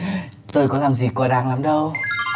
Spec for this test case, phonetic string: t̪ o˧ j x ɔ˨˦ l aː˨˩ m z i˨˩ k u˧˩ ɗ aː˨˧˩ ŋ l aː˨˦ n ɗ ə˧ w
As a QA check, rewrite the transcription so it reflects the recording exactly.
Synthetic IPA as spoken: t̪ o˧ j k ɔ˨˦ l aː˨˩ m z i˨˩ k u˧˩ ɗ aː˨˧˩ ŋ l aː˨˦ m ɗ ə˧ w